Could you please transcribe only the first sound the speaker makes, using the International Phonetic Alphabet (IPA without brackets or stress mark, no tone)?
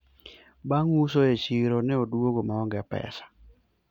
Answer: b